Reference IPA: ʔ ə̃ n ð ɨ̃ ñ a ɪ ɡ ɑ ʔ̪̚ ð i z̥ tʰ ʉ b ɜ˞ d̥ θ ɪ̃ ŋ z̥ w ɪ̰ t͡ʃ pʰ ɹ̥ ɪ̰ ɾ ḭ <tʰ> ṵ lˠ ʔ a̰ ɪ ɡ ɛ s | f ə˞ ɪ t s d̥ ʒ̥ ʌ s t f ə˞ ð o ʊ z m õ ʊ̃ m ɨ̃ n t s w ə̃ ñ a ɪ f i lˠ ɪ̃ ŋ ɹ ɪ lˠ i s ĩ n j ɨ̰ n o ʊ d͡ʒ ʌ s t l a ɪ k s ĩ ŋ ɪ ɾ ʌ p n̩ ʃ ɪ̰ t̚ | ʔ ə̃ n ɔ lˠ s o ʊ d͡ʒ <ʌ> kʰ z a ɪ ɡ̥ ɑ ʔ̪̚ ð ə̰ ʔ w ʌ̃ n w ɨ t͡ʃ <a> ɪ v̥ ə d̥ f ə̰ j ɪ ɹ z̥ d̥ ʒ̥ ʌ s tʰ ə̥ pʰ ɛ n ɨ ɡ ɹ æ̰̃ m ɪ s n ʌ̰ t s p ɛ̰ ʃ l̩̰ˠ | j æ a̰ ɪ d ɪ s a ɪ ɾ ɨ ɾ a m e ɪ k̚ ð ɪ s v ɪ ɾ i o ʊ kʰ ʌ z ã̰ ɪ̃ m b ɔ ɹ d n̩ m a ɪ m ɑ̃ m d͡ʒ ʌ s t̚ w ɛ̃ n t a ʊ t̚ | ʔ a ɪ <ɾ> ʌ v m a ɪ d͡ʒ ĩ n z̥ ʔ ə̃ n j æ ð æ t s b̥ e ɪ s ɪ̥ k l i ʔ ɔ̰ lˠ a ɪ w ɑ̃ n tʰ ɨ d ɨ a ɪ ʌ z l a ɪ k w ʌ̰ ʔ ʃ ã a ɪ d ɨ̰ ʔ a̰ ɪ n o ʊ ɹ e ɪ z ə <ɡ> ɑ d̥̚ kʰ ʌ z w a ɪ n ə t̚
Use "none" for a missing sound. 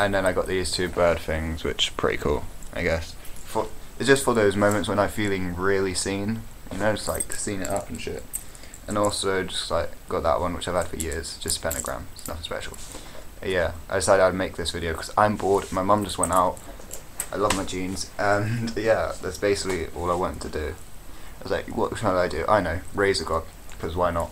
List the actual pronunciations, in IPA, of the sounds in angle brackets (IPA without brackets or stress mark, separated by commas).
kʰ, ʌ, a, l, ɡ